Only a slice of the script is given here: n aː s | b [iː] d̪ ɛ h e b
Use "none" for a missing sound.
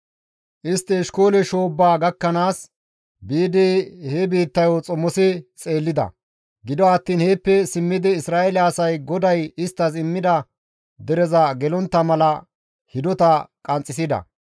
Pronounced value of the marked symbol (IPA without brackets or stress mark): iː